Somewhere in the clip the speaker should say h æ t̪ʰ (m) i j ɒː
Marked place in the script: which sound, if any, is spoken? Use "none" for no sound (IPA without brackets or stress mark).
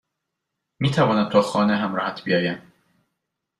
b